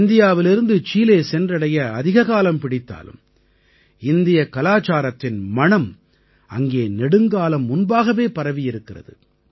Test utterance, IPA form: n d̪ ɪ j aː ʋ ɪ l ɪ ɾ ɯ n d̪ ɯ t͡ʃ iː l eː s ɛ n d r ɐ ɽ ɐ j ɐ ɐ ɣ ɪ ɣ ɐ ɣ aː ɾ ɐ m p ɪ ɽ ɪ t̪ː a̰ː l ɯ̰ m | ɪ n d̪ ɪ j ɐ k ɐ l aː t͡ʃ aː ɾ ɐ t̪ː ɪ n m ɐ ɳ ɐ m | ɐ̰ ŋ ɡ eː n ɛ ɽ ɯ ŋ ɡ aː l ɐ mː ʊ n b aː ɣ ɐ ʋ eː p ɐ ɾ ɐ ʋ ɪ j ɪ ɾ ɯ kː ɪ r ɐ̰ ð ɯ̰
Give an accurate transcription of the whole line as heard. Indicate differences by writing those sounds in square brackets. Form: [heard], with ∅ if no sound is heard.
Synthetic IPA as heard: n d̪ ɪ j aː ʋ ɪ l ɪ ɾ ɯ n d̪ ɯ t͡ʃ iː l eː s ɛ n d r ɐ ɽ ɐ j ɐ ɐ [ð] ɪ ɣ ɐ ɣ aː [l] ɐ m p ɪ ɽ ɪ t̪ː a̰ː l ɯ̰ m | ɪ n d̪ ɪ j ɐ k ɐ l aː t͡ʃ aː ɾ ɐ t̪ː ɪ n m ɐ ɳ ɐ m | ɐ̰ ŋ ɡ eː n ɛ ɽ ɯ ŋ ɡ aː l ɐ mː ʊ n b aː ɣ ɐ ʋ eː p ɐ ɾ ɐ ʋ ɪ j ɪ ɾ ɯ kː ɪ r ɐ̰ ð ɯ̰